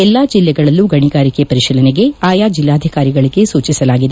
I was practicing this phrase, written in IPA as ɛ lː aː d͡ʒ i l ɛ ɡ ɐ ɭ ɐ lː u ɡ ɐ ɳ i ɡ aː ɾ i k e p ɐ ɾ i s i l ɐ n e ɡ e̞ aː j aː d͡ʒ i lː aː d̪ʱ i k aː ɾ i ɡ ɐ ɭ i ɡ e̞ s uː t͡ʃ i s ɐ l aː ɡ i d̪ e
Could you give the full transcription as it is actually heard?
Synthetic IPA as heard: ɛ lː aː d͡ʒ i lː ɛ ɡ ɐ ɭ ɐ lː u ɡ ɐ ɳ i ɡ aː ɾ i k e p ɐ ɾ i ʃ i l ɐ n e ɡ e̞ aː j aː d͡ʒ i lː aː d̪ʱ i k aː ɾ i ɡ ɐ ɭ i ɡ e̞ s uː t͡ʃ i s ɐ l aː ɡ i d̪ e